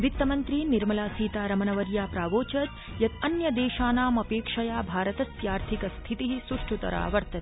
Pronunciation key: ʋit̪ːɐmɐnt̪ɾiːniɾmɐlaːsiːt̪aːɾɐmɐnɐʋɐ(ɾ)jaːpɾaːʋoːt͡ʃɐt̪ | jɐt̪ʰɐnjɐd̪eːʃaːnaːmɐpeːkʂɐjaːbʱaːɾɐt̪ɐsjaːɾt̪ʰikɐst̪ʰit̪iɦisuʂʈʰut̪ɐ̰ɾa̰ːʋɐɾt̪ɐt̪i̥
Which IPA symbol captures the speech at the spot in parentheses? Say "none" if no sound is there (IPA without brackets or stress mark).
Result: ɾ